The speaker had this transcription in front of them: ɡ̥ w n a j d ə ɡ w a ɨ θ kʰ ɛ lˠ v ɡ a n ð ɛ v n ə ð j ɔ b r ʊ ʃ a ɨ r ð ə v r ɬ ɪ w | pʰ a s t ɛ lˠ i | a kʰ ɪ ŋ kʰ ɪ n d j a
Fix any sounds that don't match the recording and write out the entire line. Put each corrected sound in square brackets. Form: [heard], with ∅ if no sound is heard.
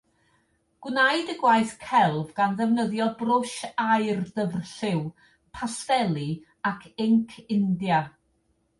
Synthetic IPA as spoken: ɡ̥ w n a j d ə ɡ w a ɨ θ kʰ ɛ lˠ v ɡ a n ð ɛ v n ə ð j ɔ b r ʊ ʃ a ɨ r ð ə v r ɬ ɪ w | pʰ a s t ɛ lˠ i | a kʰ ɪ ŋ kʰ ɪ n d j a